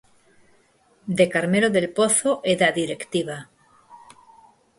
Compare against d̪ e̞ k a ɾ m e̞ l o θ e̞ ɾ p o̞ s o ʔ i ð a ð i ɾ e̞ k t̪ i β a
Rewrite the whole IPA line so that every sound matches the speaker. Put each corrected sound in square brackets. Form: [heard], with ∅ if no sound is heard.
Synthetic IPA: d̪ e̞ k a ɾ m e̞ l o [ð] e̞ [l] p o̞ [θ] o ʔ [e] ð a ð i ɾ e̞ k t̪ i β a